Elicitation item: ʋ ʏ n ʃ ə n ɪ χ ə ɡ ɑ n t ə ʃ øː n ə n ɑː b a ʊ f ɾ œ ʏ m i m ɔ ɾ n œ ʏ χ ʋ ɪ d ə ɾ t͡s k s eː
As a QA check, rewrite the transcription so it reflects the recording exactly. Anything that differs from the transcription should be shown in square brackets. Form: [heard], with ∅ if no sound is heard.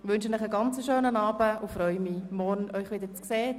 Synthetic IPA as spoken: ʋ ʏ n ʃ ə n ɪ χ ə ɡ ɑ n [t͡s] ə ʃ øː n ə n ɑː b [ə] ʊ f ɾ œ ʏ m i m ɔ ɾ n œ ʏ χ ʋ ɪ d ə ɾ t͡s k s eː